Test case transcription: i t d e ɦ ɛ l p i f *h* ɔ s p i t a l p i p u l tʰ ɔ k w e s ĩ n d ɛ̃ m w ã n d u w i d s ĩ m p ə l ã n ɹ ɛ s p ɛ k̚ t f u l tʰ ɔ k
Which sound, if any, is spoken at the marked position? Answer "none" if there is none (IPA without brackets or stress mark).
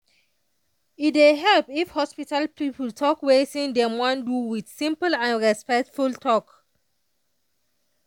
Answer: h